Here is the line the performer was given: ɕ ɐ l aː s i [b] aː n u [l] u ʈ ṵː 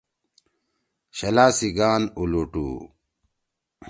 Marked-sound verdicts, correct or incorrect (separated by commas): incorrect, correct